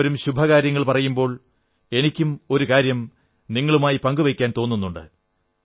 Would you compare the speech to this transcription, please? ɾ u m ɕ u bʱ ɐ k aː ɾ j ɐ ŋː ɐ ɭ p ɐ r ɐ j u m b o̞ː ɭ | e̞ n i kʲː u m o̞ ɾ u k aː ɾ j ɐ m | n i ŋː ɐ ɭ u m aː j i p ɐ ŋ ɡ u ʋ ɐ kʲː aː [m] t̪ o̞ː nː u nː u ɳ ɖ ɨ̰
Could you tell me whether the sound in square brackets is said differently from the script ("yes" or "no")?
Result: yes